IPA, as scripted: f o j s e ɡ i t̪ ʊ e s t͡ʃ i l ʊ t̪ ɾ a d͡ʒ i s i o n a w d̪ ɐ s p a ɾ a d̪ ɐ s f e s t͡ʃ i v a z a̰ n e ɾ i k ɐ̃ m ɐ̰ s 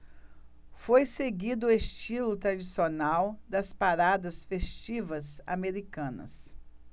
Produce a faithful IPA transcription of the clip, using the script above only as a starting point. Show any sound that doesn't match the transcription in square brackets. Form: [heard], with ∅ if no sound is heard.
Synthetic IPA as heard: f o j s e ɡ i [d̪] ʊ e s t͡ʃ i l ʊ t̪ ɾ a d͡ʒ i s i o n a w d̪ ɐ s p a ɾ a d̪ ɐ s f e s t͡ʃ i v [ɐ] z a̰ [m] e ɾ i k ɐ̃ [n] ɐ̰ s